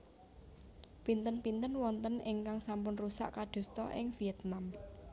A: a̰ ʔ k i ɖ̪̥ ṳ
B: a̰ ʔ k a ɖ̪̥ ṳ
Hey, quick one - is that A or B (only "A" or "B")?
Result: B